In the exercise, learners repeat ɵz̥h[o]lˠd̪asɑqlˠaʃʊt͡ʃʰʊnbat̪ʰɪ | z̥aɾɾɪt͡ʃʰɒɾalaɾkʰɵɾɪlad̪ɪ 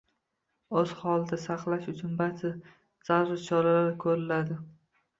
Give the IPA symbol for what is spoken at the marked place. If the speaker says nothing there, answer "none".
ɒ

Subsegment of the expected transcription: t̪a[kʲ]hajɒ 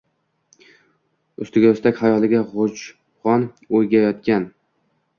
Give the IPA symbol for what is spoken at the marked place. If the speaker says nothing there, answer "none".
kʲ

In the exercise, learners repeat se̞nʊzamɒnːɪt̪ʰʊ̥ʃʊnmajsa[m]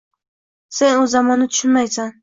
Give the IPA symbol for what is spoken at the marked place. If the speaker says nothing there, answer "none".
n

